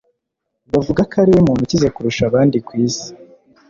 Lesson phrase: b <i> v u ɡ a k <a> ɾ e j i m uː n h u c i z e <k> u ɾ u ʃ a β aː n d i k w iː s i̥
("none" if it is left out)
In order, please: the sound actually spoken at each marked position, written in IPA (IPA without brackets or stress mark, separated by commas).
a, a, k